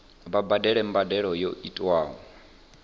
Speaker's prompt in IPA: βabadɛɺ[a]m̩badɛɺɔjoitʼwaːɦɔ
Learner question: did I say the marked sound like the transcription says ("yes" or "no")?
no